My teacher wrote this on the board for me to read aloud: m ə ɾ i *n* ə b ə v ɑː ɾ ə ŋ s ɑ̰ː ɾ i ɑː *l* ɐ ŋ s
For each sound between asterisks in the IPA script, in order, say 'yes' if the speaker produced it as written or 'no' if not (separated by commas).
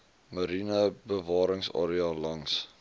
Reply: yes, yes